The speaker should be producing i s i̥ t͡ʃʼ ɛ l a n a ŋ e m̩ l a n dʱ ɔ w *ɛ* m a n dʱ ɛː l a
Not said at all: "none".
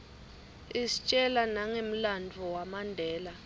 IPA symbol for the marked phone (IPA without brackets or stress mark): a